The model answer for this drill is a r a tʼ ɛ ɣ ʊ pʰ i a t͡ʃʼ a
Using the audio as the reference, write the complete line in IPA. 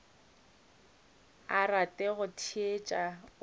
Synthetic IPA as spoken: a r a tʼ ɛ ɣ ʊ tʰ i e t͡ʃʼ a